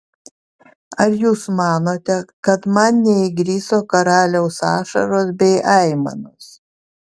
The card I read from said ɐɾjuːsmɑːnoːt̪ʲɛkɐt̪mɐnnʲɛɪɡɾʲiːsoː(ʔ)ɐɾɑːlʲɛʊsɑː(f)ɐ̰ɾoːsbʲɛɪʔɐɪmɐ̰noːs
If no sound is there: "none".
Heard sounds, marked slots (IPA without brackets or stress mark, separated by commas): k, ʃ